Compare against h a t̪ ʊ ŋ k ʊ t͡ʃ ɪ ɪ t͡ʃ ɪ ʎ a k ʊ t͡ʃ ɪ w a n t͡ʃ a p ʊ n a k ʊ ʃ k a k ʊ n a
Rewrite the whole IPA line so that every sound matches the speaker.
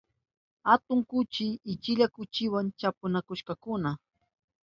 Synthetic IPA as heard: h a t̪ ʊ ŋ k ʊ t͡ʃ ɪ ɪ t͡ʃ ɪ ʎ a k ʊ t͡ʃ ɪ w a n t͡ʃ a p ʊ n a k ʊ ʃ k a k ʊ n a